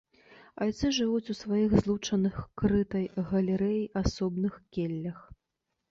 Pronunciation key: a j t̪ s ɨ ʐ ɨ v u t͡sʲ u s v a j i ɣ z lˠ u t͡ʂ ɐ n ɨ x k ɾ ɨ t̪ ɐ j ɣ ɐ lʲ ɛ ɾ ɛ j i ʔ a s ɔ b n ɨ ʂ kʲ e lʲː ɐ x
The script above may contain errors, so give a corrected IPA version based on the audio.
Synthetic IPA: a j t̪ s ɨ ʐ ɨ v u t͡sʲ u s v a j i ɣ z lˠ u t͡ʂ ɐ n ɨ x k ɾ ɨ t̪ ɐ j ɣ ɐ lʲ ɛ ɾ ɛ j i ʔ a s ɔ b n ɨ x kʲ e lʲː ɐ x